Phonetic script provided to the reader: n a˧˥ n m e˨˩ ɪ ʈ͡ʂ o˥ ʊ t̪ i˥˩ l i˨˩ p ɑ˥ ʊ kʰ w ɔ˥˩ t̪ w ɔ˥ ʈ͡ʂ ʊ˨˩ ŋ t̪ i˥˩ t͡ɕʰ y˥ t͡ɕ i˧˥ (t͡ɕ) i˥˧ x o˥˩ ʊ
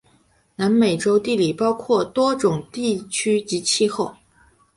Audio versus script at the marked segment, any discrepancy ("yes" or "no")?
yes